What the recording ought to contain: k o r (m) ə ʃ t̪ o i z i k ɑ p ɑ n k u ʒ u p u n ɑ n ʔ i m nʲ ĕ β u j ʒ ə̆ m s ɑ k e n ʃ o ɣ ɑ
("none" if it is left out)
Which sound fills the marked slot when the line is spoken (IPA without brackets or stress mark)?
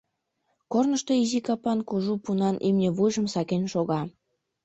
n